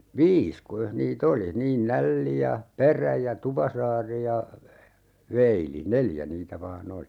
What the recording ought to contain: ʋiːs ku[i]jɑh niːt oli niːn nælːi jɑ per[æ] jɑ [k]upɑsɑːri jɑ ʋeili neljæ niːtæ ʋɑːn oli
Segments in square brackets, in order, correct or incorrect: correct, correct, incorrect

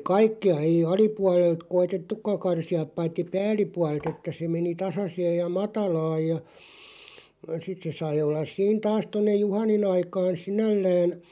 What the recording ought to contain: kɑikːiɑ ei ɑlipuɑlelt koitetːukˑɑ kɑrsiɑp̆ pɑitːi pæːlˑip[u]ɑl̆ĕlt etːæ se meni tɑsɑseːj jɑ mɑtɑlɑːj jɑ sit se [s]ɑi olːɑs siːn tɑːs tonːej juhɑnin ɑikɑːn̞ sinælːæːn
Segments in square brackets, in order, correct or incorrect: correct, correct

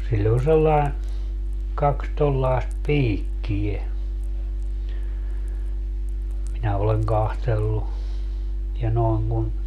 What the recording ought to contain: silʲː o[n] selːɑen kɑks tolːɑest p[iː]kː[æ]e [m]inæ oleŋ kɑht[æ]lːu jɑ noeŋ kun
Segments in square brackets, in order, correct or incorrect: correct, correct, incorrect, correct, incorrect

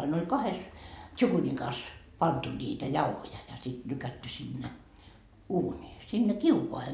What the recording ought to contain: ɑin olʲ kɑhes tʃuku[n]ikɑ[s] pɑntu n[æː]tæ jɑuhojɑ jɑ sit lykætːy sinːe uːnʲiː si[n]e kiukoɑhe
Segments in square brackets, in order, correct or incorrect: correct, correct, incorrect, incorrect

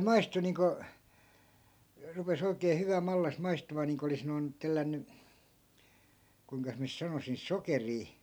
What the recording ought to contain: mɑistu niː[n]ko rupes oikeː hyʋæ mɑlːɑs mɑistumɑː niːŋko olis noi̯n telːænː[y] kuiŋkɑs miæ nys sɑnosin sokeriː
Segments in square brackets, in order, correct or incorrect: incorrect, correct

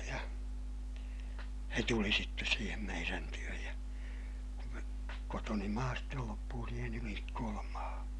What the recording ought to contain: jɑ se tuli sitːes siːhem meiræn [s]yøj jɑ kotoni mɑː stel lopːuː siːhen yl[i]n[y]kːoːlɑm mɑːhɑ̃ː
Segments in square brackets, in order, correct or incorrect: incorrect, correct, incorrect

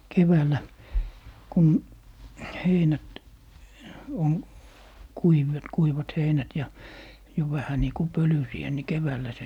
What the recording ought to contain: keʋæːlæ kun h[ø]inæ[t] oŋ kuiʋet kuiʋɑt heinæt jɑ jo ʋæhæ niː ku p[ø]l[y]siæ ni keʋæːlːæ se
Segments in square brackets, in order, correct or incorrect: incorrect, correct, correct, correct

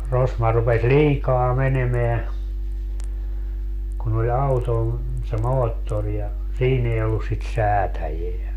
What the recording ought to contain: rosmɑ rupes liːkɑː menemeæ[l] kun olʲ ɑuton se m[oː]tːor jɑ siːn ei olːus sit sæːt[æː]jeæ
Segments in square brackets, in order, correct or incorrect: incorrect, correct, incorrect

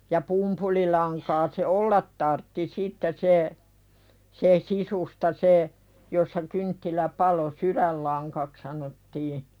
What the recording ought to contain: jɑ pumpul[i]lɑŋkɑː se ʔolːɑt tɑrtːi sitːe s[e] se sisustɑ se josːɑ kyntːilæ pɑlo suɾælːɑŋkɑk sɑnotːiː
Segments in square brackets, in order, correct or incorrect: correct, correct

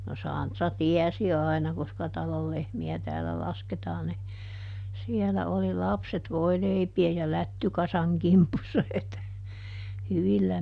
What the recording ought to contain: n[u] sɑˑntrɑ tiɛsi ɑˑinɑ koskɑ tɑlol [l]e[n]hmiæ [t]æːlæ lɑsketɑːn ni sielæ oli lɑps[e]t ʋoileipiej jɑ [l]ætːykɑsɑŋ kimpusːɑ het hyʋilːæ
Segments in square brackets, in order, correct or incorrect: incorrect, correct, incorrect, correct, correct, correct

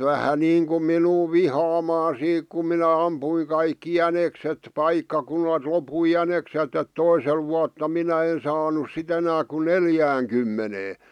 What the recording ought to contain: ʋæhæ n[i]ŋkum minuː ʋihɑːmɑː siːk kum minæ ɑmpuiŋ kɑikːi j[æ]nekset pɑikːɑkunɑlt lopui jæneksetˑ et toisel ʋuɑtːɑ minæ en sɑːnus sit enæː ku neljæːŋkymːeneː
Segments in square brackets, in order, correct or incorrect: incorrect, correct

